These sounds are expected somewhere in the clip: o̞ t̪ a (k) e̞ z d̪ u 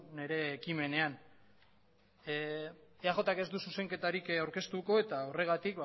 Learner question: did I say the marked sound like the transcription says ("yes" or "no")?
yes